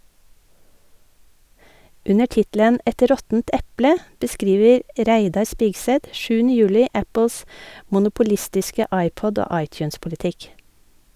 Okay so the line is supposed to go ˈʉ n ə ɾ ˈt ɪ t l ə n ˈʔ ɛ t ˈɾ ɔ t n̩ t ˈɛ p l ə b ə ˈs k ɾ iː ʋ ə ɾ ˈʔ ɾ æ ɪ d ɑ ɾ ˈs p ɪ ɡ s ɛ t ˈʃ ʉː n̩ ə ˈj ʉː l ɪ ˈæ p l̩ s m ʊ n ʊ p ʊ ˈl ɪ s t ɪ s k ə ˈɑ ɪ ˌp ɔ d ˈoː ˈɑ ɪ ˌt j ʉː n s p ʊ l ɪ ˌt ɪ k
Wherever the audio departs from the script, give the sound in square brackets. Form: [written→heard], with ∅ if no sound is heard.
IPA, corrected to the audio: ˈʉ n ə ɾ ˈt ɪ t l ə n ˈʔ ɛ t ˈɾ ɔ t n̩ t ˈɛ p l ə b ə ˈs k ɾ iː ʋ ə ɾ ˈʔ ɾ æ ɪ d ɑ ɾ ˈs p ɪ ɡ s ɛ t ˈʃ ʉː n̩ ə ˈj ʉː l ɪ ˈæ p l̩ s m ʊ n ʊ p ʊ ˈl ɪ s t ɪ s k ə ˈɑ ɪ ˌp ɔ d ˈoː ˈɑ ɪ ˌt j ʉː n s p ʊ l ɪ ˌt ɪ k